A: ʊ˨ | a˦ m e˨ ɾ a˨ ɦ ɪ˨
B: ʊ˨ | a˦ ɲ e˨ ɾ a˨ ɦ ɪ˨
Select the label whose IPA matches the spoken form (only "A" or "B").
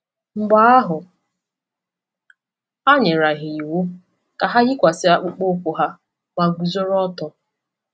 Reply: B